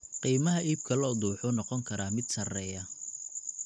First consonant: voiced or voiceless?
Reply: voiceless